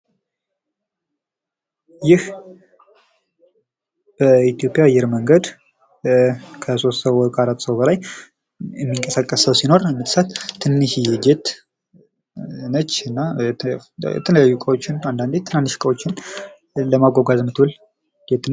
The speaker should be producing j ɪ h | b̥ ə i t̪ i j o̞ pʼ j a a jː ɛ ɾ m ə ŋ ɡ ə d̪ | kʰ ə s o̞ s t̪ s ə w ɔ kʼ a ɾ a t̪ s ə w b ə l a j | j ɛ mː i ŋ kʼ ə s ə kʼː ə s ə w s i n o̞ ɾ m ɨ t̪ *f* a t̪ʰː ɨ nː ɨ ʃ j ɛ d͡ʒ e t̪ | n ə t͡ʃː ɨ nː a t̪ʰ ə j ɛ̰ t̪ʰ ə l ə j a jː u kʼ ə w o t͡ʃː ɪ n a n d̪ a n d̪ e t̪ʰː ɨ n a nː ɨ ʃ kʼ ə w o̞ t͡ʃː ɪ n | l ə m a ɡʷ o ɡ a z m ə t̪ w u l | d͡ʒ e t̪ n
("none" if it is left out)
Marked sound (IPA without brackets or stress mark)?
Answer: s